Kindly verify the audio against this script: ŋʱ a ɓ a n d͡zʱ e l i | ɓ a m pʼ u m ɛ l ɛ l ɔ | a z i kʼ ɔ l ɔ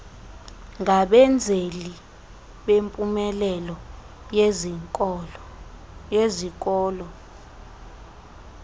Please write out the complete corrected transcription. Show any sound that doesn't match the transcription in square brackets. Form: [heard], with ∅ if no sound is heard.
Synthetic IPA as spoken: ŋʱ a ɓ [ɛ] n d͡zʱ e l i | ɓ [e] m pʼ u m ɛ l ɛ l ɔ | [e] z i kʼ [ɔː] l ɔ